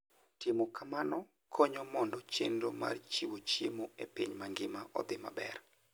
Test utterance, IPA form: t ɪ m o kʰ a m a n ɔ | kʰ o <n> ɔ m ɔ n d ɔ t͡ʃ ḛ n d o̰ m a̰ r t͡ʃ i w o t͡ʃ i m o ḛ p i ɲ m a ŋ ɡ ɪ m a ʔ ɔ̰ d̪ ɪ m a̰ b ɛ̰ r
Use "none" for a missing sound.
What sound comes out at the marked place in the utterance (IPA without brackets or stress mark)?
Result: ɲ